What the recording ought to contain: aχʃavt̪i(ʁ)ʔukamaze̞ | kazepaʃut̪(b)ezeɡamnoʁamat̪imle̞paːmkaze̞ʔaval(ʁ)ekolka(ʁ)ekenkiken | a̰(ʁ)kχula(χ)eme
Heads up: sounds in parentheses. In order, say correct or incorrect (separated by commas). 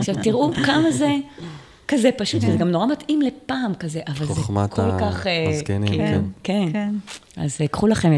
correct, incorrect, incorrect, incorrect, incorrect, correct